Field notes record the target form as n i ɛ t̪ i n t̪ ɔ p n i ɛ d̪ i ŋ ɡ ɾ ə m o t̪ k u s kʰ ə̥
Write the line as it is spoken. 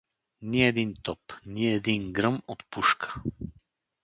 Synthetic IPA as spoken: n i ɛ d̪ i n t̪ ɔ p n i ɛ d̪ i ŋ ɡ ɾ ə m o t̪ p u ʃ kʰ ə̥